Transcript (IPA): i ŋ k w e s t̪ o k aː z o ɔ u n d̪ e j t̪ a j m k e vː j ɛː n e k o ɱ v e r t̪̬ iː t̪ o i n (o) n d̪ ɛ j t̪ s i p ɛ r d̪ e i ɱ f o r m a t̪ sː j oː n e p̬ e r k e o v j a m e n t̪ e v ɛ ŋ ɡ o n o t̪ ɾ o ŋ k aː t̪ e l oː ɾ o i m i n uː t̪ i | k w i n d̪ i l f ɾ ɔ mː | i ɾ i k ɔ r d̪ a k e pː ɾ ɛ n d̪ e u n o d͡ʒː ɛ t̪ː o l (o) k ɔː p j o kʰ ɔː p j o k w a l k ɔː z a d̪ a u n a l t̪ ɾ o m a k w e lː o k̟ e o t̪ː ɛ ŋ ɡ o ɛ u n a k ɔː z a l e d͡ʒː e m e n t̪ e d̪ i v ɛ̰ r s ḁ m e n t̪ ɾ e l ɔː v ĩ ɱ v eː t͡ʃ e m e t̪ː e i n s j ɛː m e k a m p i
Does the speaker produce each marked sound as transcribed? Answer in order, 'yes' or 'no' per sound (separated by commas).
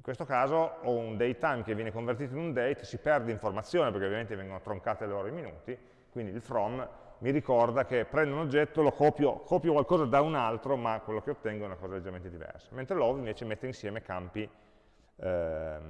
no, yes